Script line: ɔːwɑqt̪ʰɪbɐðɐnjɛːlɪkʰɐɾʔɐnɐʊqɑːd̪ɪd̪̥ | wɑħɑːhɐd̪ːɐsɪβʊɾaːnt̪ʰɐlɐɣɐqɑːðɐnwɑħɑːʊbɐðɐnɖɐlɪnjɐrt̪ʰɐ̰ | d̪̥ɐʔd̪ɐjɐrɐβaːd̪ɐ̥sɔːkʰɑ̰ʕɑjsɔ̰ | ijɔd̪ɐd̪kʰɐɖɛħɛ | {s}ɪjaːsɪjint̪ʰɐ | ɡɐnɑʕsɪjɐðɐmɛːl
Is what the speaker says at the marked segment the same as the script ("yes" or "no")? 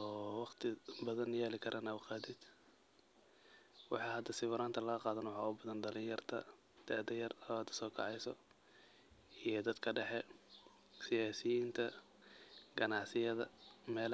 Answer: yes